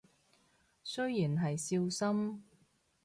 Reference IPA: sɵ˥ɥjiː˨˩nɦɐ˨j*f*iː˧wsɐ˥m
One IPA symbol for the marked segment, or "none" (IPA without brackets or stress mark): s